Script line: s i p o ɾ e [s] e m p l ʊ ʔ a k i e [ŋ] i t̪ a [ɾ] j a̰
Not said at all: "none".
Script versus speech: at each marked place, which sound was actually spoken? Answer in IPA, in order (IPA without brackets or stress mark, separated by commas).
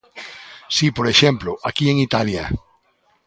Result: ʃ, ŋ, l